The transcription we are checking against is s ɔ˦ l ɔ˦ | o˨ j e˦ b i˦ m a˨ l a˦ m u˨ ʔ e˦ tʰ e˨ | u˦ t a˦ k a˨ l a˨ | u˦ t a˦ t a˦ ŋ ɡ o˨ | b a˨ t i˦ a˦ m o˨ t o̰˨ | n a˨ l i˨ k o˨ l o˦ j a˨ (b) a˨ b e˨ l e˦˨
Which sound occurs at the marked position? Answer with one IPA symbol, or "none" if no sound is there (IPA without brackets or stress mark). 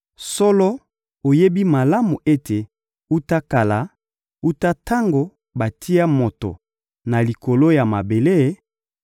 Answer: m